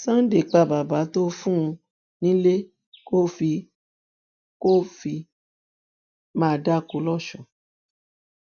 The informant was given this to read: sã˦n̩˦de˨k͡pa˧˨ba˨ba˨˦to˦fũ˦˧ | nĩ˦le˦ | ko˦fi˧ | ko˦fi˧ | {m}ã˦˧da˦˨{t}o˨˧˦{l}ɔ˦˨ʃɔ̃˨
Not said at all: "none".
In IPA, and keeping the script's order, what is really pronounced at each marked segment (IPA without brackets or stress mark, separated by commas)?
m, k, l